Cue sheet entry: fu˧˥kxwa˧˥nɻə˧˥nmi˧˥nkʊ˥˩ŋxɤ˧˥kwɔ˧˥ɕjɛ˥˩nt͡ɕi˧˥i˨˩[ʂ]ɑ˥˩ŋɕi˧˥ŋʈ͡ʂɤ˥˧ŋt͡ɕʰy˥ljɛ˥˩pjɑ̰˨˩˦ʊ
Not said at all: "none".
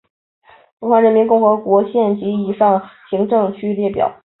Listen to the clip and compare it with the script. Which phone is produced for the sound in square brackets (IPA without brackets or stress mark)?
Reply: ʂ